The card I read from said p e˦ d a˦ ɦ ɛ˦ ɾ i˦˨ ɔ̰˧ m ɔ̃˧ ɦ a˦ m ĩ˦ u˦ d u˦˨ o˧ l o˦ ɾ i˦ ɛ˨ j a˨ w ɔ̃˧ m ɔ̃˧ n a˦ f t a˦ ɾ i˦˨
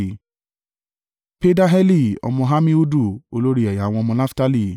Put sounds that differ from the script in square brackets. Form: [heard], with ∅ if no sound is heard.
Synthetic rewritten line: p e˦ d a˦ ɦ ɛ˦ [l] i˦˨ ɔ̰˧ m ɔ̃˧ ɦ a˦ m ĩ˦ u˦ d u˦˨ o˧ l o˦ ɾ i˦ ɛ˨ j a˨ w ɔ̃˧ m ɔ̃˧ n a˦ f t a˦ [l] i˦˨